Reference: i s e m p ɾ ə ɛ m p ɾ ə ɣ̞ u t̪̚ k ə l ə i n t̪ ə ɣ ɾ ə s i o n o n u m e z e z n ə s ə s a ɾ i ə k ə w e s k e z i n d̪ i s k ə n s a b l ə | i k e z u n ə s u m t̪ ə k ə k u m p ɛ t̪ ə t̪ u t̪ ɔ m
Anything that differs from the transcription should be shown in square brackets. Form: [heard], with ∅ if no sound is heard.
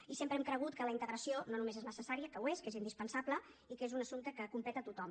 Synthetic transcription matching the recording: i s e m p ɾ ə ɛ m [k] ɾ ə ɣ̞ u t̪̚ k ə l ə i n t̪ ə ɣ ɾ ə s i o n o n u m e z e z n ə s ə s a ɾ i ə k ə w e s k e z i n d̪ i s [p] ə n s a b l ə | i k e z u n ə s u m t̪ ə k ə k u m p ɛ t̪ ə t̪ u t̪ ɔ m